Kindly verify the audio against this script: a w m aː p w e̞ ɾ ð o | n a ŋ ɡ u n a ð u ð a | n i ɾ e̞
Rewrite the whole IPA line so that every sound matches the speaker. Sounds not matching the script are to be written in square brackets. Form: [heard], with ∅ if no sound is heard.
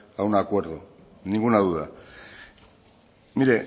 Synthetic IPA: a w [n] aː [k] w e̞ ɾ ð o | n [i] ŋ ɡ u n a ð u ð a | n i ɾ e̞